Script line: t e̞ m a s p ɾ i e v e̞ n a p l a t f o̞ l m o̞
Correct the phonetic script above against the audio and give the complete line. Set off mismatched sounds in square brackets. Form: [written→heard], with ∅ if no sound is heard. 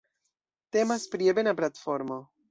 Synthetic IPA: t e̞ m a s p ɾ i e [v→b] e̞ n a p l a t f o̞ [l→ɾ] m o̞